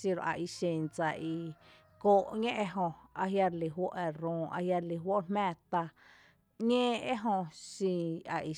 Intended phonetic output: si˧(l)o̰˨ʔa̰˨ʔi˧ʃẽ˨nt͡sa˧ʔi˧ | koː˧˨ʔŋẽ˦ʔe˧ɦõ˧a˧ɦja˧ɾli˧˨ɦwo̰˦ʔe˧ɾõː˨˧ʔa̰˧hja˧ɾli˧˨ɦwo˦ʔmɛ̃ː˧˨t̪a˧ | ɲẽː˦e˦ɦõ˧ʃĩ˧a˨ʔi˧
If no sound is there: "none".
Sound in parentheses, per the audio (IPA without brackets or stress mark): ɾ